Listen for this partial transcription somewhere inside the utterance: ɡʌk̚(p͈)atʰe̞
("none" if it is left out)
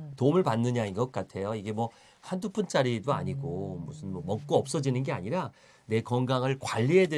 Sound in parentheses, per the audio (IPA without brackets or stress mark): k͈